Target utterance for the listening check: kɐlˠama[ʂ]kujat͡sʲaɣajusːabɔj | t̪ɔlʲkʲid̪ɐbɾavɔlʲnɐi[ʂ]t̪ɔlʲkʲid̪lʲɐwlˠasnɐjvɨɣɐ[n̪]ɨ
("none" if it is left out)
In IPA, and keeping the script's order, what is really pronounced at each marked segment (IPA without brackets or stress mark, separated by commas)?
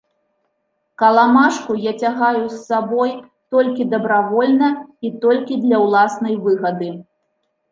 ʂ, none, d̪